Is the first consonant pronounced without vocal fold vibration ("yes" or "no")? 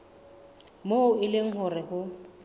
no